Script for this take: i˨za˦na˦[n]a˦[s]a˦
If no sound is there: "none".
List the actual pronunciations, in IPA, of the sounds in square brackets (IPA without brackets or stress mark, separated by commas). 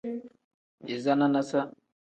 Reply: n, s